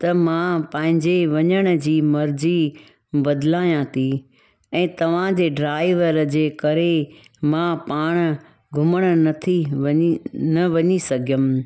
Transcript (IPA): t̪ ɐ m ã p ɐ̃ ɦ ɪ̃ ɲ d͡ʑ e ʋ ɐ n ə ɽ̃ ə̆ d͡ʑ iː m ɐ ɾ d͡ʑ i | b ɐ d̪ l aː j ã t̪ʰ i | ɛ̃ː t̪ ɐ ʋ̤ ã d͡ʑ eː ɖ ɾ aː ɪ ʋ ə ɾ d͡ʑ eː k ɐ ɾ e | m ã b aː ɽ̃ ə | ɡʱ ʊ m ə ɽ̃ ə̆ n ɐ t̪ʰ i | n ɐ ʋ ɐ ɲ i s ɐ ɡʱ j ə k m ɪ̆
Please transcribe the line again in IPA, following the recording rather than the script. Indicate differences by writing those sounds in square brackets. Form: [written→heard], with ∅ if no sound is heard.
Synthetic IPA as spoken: t̪ ɐ m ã p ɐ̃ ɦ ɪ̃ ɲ d͡ʑ e ʋ ɐ [n→ɲ] ə ɽ̃ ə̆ d͡ʑ iː m ɐ ɾ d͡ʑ i | b ɐ d̪ l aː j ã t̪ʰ i | ɛ̃ː t̪ ɐ ʋ̤ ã d͡ʑ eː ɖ ɾ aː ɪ ʋ ə ɾ d͡ʑ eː k ɐ ɾ e | m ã [b→p] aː ɽ̃ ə | ɡʱ ʊ m ə ɽ̃ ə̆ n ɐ t̪ʰ i | n ɐ ʋ ɐ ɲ i s ɐ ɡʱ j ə [k→∅] m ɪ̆